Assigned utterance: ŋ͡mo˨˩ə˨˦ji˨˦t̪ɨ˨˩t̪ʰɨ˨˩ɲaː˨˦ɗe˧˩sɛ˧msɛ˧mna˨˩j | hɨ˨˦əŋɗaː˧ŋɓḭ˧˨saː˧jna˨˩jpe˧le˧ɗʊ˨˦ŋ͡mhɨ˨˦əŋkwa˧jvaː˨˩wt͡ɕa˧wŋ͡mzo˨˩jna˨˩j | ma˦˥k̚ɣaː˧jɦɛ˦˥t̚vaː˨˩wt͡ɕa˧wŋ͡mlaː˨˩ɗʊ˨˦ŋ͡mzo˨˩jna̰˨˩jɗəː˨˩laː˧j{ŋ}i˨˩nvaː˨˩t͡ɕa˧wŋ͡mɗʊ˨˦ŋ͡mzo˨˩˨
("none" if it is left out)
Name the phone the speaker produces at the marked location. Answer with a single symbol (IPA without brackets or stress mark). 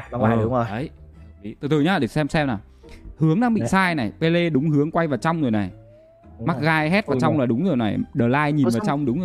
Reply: ɲ